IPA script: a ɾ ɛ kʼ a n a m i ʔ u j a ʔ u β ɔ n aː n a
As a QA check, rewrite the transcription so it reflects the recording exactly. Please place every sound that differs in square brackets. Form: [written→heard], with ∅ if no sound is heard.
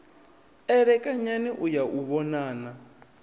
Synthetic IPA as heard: [a→ɛ] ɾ ɛ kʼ a [n→ɲ] a [m→n] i ʔ u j a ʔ u β ɔ n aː n a

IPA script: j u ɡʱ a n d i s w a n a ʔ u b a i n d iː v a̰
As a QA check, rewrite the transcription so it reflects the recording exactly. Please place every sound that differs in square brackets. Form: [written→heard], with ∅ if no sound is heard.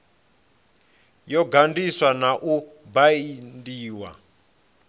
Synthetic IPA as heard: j [u→ɔ] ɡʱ a n d i s w a n a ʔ u b a i n d iː [v→w] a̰

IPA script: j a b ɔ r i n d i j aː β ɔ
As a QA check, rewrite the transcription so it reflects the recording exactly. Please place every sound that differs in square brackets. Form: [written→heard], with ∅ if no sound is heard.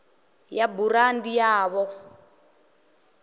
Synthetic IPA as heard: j a b [ɔ→u] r [i→a] n d i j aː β ɔ

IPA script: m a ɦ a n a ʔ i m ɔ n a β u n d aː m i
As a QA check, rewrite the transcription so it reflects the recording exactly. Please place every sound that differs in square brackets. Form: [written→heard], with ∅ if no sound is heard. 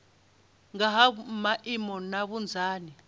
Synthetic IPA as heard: [m→ŋ] a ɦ a [n→m] a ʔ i m ɔ n a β u n [d→d͡zʱ] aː [m→n] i

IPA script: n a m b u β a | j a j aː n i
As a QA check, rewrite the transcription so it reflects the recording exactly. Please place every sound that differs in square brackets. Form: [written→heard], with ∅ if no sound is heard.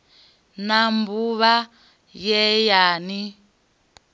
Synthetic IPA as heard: n a m b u β a | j [a→ɛ] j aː n i

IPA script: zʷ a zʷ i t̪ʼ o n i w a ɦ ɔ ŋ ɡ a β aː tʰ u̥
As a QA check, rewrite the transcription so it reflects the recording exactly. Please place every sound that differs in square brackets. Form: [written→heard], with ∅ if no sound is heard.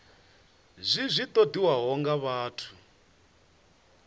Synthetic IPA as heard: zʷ [a→i] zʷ i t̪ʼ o [n→d] i w a ɦ ɔ ŋ ɡ a β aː tʰ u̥

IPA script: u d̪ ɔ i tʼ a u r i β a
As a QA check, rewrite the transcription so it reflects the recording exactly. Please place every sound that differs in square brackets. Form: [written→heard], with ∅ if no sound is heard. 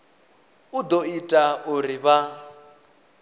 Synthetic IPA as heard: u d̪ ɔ i tʼ a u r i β a

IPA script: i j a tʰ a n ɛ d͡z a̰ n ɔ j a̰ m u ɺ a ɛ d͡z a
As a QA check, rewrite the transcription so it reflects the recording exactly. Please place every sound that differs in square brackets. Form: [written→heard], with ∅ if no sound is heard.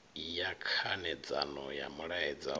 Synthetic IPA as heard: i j a [tʰ→kʰ] a n ɛ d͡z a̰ n ɔ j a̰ m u ɺ a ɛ d͡z a

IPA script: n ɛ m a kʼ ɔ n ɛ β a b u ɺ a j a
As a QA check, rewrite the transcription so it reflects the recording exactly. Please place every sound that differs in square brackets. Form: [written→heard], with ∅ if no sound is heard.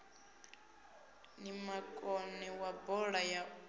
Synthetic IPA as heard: n [ɛ→i] m a kʼ ɔ n ɛ [β→w] a b [u→ɔ] ɺ a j a

